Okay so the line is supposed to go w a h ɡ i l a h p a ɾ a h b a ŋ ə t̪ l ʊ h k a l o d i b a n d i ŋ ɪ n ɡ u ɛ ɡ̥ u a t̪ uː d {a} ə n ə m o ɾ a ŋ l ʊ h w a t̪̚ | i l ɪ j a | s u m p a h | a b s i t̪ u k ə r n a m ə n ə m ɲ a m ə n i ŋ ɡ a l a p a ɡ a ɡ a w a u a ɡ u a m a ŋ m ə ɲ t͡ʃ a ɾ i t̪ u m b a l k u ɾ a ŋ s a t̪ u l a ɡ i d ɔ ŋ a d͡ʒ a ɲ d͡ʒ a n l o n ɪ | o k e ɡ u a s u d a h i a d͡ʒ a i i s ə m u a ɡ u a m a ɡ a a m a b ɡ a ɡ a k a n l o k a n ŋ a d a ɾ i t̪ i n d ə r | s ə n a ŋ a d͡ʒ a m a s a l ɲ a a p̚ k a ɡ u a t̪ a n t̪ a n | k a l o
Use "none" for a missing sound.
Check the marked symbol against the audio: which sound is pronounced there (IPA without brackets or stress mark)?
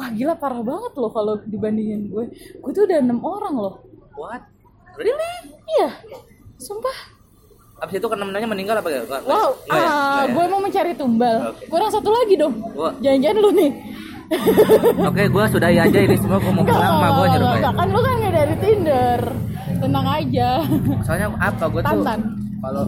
a